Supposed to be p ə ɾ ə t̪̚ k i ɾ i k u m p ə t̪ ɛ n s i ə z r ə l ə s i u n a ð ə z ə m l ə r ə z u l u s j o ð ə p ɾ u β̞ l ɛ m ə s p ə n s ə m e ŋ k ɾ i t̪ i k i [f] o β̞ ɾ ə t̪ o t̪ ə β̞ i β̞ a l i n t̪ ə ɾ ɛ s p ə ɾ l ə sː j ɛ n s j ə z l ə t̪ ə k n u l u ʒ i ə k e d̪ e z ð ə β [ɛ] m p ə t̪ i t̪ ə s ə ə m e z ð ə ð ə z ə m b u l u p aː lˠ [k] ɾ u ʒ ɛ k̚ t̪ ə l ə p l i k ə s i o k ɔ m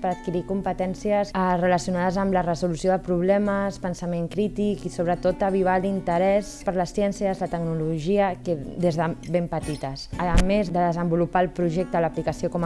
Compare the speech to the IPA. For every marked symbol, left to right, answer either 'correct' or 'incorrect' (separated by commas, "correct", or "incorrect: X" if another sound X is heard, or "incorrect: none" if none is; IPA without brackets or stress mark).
incorrect: s, incorrect: e, incorrect: p